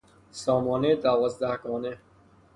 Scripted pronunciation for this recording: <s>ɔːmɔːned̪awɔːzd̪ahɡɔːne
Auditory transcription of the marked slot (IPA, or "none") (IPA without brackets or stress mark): s